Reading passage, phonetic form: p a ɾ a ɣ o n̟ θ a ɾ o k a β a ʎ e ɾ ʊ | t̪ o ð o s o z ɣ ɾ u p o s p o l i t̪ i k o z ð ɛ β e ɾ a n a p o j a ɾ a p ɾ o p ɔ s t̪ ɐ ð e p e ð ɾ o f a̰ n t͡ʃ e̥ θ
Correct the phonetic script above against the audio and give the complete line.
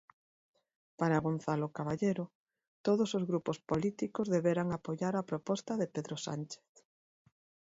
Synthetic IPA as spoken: p a ɾ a ɣ o n̟ θ a l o k a β a ʎ e ɾ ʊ | t̪ o ð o s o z ɣ ɾ u p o s p o l i t̪ i k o z ð e β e ɾ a ŋ a p o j a ɾ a p ɾ o p ɔ s t̪ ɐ ð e p e ð ɾ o s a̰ n t͡ʃ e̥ θ